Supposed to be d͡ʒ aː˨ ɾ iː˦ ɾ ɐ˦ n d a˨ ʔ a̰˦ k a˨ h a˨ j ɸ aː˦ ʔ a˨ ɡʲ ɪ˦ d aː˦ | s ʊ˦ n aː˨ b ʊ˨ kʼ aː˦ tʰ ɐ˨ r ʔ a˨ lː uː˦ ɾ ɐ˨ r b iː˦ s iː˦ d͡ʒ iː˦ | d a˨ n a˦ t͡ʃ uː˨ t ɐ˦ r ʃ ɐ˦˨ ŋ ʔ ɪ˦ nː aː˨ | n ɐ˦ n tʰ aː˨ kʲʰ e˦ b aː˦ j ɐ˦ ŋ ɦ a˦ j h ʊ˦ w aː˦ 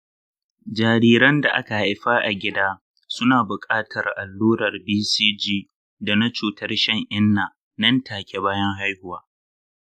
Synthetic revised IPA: d͡ʒ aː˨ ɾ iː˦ ɾ ɐ˦ n d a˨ ʔ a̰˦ k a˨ h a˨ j ɸ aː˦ ʔ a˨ ɡʲ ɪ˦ d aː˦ | s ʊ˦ n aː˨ b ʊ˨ kʼ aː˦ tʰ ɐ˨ r ʔ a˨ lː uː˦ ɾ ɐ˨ r b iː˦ s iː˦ d͡ʒ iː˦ | d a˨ n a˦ t͡ʃ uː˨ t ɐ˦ r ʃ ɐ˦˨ ŋ ʔ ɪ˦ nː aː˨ | n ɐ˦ n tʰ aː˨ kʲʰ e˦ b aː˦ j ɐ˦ ŋ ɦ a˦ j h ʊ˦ w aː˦